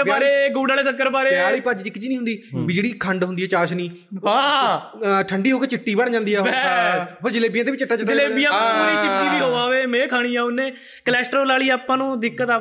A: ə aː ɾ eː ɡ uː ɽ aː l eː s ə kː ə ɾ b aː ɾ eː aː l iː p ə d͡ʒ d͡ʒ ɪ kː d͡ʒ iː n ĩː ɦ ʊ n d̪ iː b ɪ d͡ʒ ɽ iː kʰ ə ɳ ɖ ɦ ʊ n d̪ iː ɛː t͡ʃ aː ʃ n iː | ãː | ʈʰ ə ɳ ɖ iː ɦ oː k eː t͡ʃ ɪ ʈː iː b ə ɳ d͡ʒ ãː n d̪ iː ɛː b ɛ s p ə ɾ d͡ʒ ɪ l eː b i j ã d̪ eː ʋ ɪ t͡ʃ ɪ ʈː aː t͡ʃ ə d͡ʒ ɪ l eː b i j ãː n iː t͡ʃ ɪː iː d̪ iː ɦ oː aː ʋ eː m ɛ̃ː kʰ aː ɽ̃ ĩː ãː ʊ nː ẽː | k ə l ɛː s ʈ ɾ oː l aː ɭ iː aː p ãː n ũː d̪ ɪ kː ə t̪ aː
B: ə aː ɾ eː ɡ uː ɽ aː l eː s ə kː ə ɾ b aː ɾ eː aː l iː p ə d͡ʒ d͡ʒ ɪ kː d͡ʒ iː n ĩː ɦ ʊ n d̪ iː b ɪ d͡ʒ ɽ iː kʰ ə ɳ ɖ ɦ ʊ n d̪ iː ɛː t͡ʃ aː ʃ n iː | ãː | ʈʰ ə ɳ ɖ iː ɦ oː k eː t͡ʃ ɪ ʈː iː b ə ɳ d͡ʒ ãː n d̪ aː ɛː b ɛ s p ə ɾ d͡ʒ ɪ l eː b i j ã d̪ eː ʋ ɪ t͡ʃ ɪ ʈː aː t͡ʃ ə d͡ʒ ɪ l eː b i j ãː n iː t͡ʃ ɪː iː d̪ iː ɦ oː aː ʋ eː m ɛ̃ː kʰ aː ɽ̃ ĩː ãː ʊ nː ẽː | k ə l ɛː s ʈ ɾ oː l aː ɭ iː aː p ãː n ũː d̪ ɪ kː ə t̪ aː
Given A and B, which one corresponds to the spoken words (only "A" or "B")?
A